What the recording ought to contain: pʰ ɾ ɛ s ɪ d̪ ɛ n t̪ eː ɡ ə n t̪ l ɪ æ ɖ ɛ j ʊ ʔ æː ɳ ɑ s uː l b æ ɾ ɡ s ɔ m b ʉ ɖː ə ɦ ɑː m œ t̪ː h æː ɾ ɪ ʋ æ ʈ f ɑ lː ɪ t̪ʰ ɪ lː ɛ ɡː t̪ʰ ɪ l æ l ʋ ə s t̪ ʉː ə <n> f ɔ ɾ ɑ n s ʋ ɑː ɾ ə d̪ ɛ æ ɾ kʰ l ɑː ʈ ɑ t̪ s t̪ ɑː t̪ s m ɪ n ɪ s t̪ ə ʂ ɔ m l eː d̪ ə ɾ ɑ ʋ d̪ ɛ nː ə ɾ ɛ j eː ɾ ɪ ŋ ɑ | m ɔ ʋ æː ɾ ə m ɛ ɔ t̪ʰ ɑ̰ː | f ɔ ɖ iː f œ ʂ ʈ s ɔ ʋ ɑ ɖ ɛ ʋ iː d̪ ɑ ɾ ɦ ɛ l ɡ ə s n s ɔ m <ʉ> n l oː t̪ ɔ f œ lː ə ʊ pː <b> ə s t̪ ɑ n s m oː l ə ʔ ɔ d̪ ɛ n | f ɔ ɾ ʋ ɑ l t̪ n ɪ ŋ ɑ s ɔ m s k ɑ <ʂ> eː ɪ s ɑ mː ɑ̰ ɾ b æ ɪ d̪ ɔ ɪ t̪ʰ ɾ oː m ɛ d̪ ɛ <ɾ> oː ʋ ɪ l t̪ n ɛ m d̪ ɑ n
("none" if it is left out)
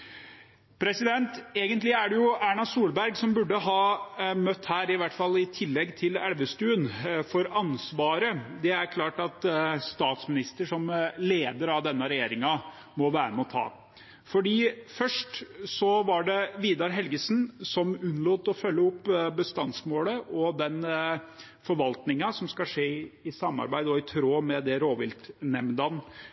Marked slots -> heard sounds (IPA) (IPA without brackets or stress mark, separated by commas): n, ʉ, b, ʂ, ɾ